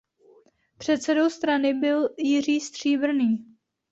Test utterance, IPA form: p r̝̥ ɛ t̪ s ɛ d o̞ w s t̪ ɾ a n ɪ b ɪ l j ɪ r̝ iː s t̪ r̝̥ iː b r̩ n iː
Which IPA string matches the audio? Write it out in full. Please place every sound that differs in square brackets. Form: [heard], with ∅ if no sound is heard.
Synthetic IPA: p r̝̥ ɛ t̪ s ɛ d o̞ w s t̪ ɾ a n ɪ b ɪ l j ɪ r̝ iː s t̪ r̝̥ iː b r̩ n iː